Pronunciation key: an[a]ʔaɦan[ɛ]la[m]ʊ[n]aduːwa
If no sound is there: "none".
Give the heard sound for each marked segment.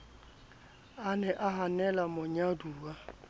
ɛ, ɛ, m, ɲ

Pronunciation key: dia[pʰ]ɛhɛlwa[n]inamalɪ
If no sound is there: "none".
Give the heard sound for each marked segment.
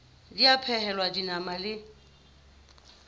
pʰ, d

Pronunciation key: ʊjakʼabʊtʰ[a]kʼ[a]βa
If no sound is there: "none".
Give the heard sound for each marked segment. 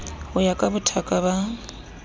a, a

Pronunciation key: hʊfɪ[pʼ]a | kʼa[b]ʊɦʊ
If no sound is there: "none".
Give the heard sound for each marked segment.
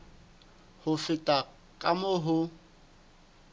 tʼ, m

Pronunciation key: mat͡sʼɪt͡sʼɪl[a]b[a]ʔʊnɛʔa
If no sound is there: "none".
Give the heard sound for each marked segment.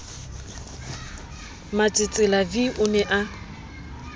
a, i

